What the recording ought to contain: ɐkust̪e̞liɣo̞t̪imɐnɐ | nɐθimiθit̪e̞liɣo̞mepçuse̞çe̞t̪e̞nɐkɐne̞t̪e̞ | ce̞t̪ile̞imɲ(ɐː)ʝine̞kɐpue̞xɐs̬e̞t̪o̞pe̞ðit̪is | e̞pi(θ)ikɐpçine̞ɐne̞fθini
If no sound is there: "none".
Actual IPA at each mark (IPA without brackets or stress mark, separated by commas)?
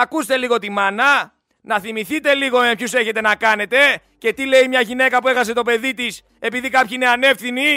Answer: ɐ, ð